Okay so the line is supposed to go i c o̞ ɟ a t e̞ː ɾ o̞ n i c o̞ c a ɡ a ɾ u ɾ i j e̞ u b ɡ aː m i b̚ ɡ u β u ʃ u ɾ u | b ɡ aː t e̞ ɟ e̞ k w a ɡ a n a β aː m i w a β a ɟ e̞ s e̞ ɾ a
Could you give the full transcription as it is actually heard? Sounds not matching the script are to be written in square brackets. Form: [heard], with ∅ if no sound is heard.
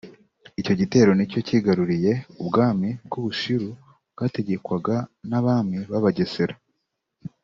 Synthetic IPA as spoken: i c o̞ ɟ [i] t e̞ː ɾ o̞ n i c o̞ c [i] ɡ a ɾ u ɾ i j e̞ u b ɡ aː m i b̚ ɡ u β u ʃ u ɾ u | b ɡ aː t e̞ ɟ e̞ k w a ɡ a n a β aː m i [β] a β a ɟ e̞ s e̞ ɾ a